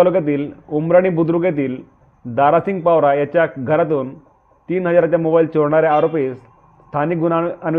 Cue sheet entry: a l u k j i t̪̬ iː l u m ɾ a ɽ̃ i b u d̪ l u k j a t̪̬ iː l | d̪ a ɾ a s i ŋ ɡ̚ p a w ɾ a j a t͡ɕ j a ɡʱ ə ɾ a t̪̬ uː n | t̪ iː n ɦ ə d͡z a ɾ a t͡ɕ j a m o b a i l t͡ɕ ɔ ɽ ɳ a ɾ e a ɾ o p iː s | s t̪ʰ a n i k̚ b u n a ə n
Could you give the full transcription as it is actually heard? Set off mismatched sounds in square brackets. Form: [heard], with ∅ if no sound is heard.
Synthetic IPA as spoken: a l u k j [a] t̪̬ iː l u m ɾ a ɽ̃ i b u d̪ [ɾ] u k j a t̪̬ iː l | d̪ a ɾ a s i ŋ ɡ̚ p a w ɾ a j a t͡ɕ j a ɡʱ ə ɾ a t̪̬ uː n | t̪ iː n ɦ ə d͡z a ɾ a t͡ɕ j a m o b a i l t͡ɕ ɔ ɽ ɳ a ɾ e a ɾ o p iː s | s t̪ʰ a n i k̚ [ɡ] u n a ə n